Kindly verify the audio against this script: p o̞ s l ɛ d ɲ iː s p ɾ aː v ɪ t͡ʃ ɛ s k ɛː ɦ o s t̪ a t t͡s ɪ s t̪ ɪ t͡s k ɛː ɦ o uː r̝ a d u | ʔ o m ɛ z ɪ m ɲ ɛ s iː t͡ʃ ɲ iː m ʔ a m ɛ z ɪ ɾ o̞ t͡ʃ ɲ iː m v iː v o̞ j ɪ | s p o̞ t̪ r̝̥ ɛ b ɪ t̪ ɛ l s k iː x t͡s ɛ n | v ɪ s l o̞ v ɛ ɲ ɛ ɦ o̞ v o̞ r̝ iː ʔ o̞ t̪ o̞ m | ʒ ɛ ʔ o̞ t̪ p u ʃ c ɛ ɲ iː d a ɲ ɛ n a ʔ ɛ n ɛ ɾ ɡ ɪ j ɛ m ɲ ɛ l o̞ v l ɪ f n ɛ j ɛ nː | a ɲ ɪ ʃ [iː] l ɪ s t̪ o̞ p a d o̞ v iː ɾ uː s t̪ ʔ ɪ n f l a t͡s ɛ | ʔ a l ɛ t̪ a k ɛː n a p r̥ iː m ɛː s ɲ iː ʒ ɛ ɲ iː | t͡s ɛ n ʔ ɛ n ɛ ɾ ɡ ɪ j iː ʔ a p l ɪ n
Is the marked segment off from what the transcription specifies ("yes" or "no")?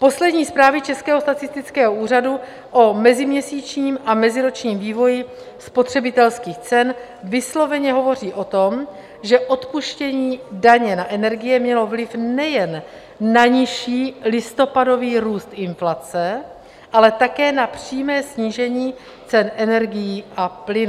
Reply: no